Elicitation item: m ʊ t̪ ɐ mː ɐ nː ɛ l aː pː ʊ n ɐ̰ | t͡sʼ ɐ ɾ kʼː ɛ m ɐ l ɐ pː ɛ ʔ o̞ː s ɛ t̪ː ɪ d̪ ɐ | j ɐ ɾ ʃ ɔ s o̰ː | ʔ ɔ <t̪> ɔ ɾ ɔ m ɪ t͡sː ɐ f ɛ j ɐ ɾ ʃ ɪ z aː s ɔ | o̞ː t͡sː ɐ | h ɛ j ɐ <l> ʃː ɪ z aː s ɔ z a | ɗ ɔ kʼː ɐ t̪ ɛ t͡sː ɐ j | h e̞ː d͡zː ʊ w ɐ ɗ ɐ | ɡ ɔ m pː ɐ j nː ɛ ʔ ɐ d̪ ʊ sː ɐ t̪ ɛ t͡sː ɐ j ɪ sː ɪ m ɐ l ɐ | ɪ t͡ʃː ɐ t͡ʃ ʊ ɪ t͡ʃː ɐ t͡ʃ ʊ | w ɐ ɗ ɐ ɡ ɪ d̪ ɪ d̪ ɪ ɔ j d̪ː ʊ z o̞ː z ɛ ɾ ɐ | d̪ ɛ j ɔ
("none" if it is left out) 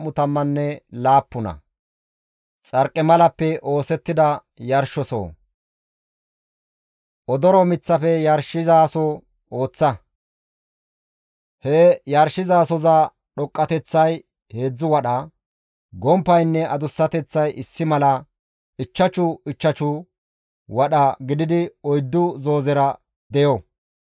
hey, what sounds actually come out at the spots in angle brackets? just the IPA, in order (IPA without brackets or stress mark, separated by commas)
d̪, ɾ